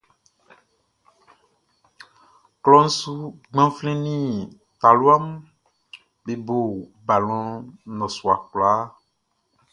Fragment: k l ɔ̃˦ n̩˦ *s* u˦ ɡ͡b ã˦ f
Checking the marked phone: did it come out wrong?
no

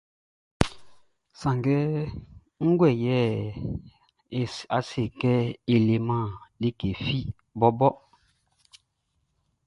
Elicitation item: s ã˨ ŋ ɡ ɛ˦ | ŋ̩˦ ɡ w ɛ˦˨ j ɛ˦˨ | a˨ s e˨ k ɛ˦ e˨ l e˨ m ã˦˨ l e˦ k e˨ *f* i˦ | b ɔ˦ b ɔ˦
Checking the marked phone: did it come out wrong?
no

